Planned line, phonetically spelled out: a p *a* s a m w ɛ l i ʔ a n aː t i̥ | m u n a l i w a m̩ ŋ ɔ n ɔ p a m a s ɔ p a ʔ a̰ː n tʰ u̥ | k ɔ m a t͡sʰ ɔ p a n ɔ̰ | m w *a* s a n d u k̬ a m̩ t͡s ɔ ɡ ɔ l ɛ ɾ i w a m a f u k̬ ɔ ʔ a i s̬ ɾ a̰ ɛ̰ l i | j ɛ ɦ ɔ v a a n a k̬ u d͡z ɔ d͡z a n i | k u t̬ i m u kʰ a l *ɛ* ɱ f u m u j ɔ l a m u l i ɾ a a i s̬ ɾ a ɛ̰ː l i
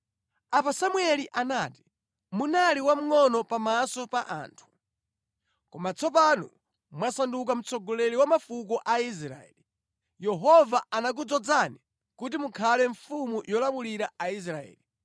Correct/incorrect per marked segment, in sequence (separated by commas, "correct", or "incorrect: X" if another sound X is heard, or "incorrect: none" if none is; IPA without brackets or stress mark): correct, correct, correct